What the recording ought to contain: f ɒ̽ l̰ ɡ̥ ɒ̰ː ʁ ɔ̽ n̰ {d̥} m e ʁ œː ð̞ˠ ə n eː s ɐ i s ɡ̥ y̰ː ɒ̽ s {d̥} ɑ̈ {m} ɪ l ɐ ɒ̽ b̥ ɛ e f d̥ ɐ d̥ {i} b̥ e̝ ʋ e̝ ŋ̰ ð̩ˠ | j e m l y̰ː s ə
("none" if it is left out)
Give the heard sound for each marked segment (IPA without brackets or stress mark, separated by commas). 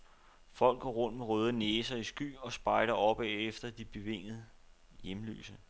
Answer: d̥, b̥, none, i